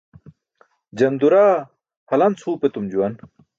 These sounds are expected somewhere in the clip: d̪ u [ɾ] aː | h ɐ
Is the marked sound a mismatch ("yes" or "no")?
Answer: no